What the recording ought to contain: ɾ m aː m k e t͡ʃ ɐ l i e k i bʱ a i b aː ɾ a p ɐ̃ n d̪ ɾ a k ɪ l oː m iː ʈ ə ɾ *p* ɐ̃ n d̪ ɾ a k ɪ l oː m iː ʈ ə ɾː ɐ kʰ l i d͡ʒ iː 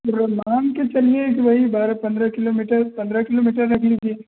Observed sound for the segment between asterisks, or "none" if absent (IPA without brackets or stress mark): p